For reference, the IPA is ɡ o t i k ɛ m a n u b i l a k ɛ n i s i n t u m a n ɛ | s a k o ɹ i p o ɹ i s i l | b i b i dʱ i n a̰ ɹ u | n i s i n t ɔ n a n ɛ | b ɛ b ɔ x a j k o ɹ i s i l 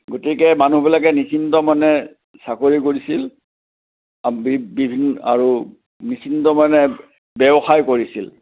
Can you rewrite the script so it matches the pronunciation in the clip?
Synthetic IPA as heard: ɡ o t i k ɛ m a n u b i l a k ɛ n i s i n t ɔ m a n ɛ | s a k o ɹ i k o ɹ i s i l | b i b i bʱ i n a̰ ɹ u | n i s i n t ɔ m a n ɛ | b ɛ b ɔ x a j k o ɹ i s i l